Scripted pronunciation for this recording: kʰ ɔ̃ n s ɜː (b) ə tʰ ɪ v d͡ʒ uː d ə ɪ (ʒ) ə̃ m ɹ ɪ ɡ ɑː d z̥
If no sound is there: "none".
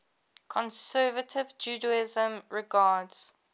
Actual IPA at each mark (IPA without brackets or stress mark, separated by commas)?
v, z